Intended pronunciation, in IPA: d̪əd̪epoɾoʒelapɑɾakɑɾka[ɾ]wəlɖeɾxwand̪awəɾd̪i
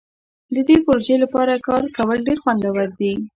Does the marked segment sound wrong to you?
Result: yes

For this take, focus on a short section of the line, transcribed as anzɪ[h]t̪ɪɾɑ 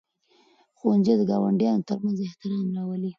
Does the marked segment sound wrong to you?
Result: no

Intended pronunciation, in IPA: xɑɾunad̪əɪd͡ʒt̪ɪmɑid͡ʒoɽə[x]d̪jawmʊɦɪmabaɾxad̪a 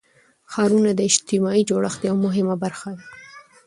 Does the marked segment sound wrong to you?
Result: no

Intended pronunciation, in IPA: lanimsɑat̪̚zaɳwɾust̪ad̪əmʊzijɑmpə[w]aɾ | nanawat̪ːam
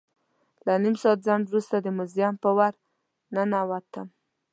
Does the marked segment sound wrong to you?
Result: no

